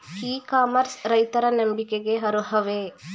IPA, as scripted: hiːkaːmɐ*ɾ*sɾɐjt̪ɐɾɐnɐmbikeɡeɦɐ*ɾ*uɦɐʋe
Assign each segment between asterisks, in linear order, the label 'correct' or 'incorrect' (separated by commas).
correct, correct